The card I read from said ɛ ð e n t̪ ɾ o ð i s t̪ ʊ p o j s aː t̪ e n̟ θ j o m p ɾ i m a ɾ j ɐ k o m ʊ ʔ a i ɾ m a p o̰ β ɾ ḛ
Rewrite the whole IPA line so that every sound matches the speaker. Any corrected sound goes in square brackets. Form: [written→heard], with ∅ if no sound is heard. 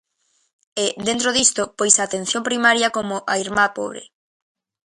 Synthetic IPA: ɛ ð e n t̪ ɾ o ð i s t̪ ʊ p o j s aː t̪ e n̟ θ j o m p ɾ i m a ɾ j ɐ k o m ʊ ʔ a i ɾ m a p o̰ β ɾ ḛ